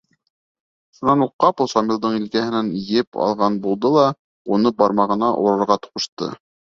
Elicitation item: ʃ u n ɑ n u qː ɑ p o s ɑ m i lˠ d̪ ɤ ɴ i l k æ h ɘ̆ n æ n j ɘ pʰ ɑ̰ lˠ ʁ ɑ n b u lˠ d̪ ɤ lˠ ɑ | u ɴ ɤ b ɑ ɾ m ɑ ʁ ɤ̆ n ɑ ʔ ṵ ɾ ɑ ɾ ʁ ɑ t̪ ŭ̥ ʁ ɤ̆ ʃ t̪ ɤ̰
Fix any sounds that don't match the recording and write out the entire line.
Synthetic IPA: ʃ u n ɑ n u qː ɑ p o s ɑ m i lˠ d̪ ɤ ɴ i l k æ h ɘ̆ n æ n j ɘ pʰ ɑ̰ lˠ ʁ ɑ n b u lˠ d̪ ɤ lˠ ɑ | u n ɤ b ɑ ɾ m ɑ ʁ ɤ̆ n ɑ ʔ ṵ ɾ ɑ ɾ ʁ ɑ t̪ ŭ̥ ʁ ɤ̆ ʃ t̪ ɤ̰